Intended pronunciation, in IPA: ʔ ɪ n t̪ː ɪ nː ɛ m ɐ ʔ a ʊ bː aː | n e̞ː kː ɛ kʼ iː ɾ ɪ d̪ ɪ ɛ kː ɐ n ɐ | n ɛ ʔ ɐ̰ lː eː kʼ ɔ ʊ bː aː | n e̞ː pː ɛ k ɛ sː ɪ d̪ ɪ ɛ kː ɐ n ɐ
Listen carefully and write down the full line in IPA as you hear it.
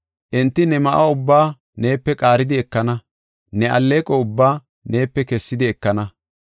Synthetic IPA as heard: ʔ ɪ n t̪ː ɪ n ɛ m ɐ ʔ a ʊ bː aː | n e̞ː pː ɛ kʼ aː ɾ ɪ d̪ ɪ ɛ kː ɐ n ɐ | n ɛ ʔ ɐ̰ lː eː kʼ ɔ ʊ bː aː | n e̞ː pː ɛ k ɛ sː ɪ d̪ ɪ ɛ kː ɐ n ɐ